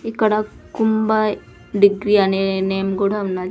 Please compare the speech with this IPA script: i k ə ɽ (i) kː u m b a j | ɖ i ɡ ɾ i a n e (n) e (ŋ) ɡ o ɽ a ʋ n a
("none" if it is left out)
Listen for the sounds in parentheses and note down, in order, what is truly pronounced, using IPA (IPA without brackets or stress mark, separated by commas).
a, n, m